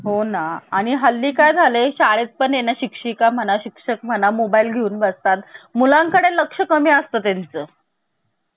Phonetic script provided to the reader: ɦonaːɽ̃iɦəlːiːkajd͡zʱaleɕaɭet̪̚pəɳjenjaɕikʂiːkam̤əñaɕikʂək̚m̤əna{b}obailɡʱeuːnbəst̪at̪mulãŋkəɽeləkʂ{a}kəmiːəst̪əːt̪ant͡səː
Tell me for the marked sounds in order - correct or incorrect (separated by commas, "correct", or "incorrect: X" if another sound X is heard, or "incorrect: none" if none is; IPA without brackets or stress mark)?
incorrect: m, incorrect: ə